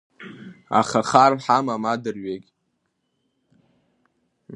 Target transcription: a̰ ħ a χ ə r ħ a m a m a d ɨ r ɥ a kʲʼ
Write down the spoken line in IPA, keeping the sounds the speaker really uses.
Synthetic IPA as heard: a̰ χ a χ a r ħ a m a m a d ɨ r ɥ e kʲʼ